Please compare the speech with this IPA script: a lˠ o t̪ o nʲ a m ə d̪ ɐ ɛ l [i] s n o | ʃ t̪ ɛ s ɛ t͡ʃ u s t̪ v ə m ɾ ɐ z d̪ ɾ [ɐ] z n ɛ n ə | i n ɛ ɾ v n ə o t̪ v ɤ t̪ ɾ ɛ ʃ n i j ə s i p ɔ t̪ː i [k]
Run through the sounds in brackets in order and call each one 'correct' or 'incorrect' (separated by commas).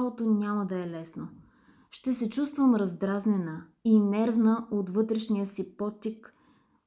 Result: incorrect, incorrect, correct